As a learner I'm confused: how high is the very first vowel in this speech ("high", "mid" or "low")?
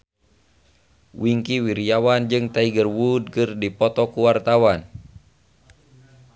high